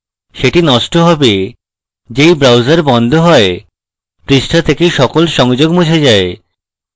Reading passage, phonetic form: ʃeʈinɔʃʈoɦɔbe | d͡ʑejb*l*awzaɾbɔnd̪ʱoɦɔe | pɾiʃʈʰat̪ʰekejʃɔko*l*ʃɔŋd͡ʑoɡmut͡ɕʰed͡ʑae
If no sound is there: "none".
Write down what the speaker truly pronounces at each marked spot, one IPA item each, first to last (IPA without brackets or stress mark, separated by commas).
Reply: ɾ, l